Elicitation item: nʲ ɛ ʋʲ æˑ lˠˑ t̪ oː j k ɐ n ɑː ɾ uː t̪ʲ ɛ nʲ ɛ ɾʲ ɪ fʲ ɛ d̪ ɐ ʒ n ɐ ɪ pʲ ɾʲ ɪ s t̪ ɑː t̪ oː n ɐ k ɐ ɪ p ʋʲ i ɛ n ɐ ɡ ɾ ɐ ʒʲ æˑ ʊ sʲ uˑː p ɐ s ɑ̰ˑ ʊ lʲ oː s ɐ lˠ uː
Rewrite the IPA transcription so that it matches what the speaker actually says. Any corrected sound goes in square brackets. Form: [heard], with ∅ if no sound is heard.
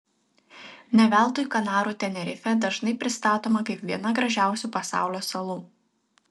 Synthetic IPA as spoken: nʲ ɛ ʋʲ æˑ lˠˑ t̪ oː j k ɐ n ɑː ɾ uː t̪ʲ ɛ nʲ ɛ ɾʲ ɪ fʲ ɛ d̪ ɐ ʒ n ɐ ɪ pʲ ɾʲ ɪ s t̪ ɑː t̪ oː [m] ɐ k ɐ ɪ p ʋʲ i ɛ n ɐ ɡ ɾ ɐ ʒʲ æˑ ʊ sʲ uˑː p ɐ s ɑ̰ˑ ʊ lʲ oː s ɐ lˠ uː

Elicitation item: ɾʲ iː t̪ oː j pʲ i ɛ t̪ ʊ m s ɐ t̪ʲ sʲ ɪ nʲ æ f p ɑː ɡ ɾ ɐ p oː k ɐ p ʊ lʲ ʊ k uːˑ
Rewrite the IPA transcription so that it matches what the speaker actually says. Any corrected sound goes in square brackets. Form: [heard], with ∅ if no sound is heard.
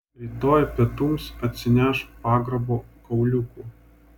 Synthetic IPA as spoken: ɾʲ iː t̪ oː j pʲ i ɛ t̪ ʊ m s ɐ t̪ʲ sʲ ɪ nʲ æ [ʃ] p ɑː ɡ ɾ ɐ [b] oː k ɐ [∅] ʊ lʲ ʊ k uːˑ

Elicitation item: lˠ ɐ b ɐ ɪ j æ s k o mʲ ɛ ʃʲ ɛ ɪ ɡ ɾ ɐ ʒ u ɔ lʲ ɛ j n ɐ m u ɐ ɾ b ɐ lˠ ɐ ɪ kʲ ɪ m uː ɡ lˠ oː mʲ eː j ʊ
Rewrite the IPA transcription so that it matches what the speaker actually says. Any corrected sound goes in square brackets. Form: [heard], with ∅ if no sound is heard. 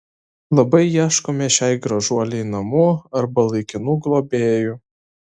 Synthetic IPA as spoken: lˠ ɐ b ɐ ɪ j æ [ʃ] k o mʲ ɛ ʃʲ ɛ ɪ ɡ ɾ ɐ ʒ u ɔ lʲ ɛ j n ɐ m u ɐ ɾ b ɐ lˠ ɐ ɪ kʲ ɪ [n] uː ɡ lˠ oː [bʲ] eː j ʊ

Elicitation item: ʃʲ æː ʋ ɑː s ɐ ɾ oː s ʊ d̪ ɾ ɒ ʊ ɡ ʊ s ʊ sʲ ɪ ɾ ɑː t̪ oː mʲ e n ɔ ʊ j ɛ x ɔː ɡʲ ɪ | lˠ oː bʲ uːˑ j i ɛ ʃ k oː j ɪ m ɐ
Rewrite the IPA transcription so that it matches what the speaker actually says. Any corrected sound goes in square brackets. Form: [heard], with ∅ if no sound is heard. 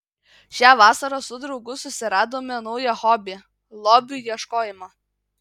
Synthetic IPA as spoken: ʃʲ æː ʋ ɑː s ɐ ɾ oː s ʊ d̪ ɾ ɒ ʊ ɡ ʊ s ʊ sʲ ɪ ɾ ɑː [d̪] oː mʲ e n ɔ ʊ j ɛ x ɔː [bʲ] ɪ | lˠ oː bʲ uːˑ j i ɛ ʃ k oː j ɪ m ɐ

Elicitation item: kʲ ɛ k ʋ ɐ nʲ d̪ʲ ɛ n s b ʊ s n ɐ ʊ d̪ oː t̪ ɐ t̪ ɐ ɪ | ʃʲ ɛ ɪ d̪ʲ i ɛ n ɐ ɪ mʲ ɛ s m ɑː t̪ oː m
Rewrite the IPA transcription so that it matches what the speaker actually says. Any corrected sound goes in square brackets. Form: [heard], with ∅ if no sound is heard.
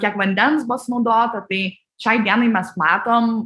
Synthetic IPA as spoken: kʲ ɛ k ʋ ɐ nʲ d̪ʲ ɛ n s b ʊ s n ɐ ʊ d̪ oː t̪ ɐ t̪ ɐ ɪ | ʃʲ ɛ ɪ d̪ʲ i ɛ n ɐ ɪ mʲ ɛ s m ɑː t̪ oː m

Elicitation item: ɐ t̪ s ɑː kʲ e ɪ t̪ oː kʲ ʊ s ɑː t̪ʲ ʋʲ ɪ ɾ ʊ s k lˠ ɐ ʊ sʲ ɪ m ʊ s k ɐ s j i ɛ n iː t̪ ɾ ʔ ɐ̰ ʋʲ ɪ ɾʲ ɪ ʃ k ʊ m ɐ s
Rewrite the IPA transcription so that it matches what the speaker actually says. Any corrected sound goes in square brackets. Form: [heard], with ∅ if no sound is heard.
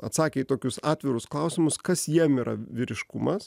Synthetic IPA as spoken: ɐ t̪ s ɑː kʲ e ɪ t̪ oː kʲ ʊ s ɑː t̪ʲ ʋʲ ɪ ɾ ʊ s k lˠ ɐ ʊ sʲ ɪ m ʊ s k ɐ s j i ɛ [m] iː [∅] ɾ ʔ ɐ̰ ʋʲ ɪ ɾʲ ɪ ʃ k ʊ m ɐ s

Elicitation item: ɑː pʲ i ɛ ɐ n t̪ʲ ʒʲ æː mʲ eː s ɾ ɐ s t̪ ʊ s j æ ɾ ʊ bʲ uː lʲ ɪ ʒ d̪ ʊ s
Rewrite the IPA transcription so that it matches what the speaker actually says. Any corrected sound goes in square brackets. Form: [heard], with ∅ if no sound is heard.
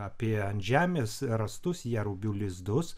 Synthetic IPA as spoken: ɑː pʲ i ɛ ɐ n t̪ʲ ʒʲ æː mʲ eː s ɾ ɐ s t̪ ʊ s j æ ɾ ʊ bʲ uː lʲ ɪ [z] d̪ ʊ s

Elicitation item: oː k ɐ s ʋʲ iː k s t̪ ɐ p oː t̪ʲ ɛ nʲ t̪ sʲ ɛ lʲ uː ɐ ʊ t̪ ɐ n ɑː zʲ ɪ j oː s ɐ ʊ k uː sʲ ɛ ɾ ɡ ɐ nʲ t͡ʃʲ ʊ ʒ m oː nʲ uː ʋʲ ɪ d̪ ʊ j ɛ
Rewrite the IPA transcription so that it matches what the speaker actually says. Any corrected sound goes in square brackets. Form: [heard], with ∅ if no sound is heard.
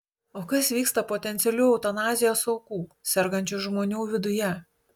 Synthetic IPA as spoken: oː k ɐ s ʋʲ iː k s t̪ ɐ p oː t̪ʲ ɛ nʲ t̪ sʲ ɛ lʲ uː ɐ ʊ t̪ ɐ n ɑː zʲ ɪ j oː s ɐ ʊ k uː sʲ ɛ ɾ ɡ ɐ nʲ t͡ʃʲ ʊ ʒ m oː nʲ uː ʋʲ ɪ d̪ ʊ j ɛ

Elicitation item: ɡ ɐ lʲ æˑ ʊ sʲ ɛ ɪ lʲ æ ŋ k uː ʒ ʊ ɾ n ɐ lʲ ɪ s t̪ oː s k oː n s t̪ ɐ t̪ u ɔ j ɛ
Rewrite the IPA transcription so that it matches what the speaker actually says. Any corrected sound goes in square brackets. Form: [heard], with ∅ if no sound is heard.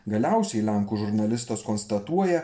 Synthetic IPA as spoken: ɡ ɐ lʲ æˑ ʊ sʲ ɛ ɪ lʲ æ ŋ k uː ʒ ʊ ɾ n ɐ lʲ ɪ s t̪ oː s k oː n s t̪ ɐ t̪ u ɔ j ɛ

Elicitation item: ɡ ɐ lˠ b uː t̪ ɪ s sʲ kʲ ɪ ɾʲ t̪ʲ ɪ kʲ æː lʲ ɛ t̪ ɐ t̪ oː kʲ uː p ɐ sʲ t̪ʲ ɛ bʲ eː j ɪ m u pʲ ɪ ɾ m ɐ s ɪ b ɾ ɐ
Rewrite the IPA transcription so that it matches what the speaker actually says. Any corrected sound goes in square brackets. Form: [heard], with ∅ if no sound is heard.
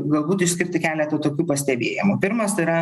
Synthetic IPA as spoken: ɡ ɐ lˠ b uː t̪ ɪ [ʃ] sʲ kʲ ɪ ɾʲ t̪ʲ ɪ kʲ æː lʲ ɛ t̪ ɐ t̪ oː kʲ uː p ɐ sʲ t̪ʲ ɛ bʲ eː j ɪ m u pʲ ɪ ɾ m ɐ s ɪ [∅] ɾ ɐ

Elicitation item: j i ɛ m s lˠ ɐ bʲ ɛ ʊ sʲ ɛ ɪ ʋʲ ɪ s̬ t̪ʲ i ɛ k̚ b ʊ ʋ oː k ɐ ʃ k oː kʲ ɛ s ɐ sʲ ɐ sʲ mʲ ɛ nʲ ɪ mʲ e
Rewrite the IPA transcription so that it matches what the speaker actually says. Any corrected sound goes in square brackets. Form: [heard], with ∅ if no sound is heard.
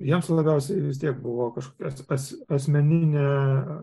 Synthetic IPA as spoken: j i ɛ m s lˠ ɐ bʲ ɛ ʊ sʲ ɛ ɪ ʋʲ ɪ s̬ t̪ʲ i ɛ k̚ b ʊ ʋ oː k ɐ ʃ k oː kʲ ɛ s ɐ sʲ ɐ sʲ mʲ ɛ nʲ ɪ [nʲ] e

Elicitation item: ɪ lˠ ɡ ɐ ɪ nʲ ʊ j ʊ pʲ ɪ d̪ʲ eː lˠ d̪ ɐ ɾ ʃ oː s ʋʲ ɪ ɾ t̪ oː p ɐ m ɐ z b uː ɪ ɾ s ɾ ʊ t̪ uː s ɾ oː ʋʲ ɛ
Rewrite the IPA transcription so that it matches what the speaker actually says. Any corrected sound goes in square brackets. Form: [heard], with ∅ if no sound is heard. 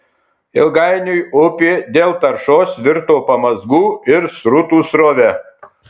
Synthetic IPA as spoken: ɪ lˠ ɡ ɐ ɪ nʲ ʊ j ʊ pʲ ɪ d̪ʲ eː lˠ [t̪] ɐ ɾ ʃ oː s ʋʲ ɪ ɾ t̪ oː p ɐ m ɐ z [ɡ] uː ɪ ɾ s ɾ ʊ t̪ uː s ɾ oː ʋʲ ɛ

